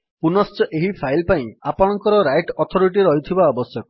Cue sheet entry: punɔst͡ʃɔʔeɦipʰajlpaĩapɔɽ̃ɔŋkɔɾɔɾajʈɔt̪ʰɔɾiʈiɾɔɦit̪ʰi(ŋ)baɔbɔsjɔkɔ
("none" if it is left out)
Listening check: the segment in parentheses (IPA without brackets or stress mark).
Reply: none